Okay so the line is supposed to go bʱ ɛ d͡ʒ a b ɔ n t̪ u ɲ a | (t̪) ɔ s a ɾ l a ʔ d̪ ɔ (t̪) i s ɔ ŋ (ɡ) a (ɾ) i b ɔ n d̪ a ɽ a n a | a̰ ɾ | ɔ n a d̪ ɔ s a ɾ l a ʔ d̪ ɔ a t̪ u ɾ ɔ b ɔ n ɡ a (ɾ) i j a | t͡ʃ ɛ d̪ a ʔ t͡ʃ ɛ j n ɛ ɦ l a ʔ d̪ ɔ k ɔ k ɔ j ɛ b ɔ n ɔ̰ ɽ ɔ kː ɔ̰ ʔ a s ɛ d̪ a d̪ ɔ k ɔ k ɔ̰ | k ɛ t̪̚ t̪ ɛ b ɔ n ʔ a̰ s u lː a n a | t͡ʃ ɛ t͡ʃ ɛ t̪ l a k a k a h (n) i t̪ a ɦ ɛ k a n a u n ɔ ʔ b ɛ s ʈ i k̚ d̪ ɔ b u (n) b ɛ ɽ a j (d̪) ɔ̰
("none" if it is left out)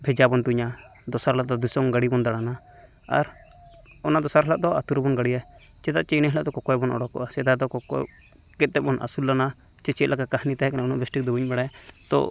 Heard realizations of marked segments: d̪, d̪, ɡ, ɽ, ɽ, n, ɲ, t̪

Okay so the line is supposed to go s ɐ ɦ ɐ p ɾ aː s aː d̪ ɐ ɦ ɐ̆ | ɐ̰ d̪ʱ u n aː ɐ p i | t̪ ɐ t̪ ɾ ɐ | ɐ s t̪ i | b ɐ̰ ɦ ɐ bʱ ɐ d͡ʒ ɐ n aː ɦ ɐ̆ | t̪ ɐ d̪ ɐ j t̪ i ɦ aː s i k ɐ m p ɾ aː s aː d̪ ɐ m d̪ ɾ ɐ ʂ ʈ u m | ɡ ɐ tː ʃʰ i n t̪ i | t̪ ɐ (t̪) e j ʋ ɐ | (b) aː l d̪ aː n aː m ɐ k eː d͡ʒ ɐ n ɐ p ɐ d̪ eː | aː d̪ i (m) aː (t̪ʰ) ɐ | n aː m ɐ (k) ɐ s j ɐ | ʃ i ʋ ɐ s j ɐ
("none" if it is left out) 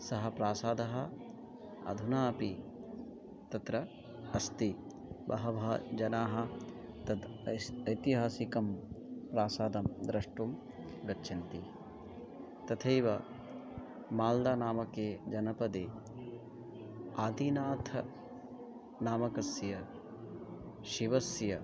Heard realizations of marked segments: t̪ʰ, m, n, t̪ʰ, k

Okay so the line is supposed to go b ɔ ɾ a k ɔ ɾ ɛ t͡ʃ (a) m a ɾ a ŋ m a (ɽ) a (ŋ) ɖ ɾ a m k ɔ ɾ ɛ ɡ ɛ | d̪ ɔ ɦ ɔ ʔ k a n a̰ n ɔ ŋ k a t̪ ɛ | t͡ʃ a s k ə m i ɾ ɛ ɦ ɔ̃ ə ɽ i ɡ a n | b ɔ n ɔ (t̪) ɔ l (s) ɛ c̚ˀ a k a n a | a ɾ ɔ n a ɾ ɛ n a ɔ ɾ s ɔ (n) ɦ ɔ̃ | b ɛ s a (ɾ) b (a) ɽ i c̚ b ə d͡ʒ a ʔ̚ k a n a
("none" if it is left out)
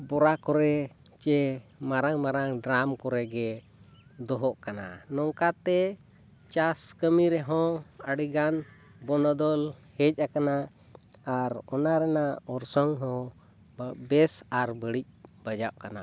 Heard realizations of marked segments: ɛ, ɾ, ŋ, d̪, h, ŋ, ɾ, ə

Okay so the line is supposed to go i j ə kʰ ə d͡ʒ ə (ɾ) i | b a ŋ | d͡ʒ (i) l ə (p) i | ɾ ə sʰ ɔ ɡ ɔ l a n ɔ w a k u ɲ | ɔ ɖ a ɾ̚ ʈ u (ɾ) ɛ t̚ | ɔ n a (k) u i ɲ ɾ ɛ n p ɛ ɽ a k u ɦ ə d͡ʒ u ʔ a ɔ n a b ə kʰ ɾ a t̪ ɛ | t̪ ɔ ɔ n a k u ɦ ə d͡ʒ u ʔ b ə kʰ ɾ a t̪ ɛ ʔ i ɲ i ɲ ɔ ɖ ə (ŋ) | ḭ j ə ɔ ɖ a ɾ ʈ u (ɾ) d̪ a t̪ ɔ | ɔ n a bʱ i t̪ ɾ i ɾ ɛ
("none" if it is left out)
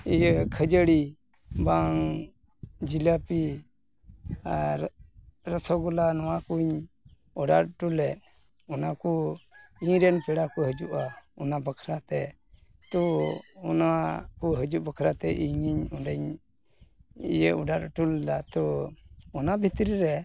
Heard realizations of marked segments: ɽ, i, p, l, k, ɲ, l

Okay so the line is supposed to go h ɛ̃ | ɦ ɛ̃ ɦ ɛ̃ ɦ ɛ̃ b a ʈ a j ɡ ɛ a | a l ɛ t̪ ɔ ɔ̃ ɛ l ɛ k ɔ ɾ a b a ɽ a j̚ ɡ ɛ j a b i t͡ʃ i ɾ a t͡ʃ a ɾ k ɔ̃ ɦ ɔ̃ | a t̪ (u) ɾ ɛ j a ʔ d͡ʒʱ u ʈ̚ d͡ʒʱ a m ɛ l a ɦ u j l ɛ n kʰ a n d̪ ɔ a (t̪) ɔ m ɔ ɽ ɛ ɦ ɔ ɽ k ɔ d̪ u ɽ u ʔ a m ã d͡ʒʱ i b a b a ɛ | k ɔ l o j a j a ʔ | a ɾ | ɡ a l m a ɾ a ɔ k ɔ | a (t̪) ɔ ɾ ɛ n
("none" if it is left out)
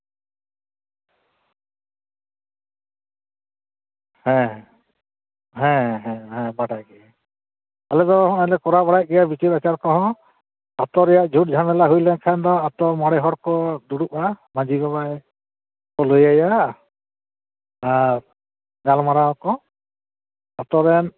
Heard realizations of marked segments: ɔ, t̪, t̪

